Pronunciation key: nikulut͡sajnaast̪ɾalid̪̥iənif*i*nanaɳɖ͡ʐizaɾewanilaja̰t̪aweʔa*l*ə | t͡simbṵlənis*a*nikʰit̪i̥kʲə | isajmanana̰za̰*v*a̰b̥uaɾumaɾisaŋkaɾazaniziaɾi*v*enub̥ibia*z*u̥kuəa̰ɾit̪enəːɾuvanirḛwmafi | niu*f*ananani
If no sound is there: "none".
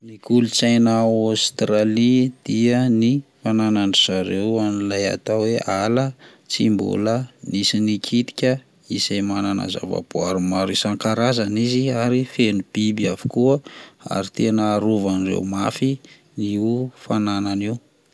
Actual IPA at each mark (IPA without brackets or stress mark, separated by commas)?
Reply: a, l, i, v, f, v, f